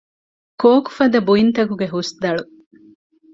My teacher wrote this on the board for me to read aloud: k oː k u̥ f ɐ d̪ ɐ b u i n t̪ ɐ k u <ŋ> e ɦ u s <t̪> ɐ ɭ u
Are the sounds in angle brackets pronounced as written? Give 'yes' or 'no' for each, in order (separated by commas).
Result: no, no